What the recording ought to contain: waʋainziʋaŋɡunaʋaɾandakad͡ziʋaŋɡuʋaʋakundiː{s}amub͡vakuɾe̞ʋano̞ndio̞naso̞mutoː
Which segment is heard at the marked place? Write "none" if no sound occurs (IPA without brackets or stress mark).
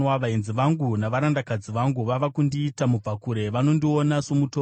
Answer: t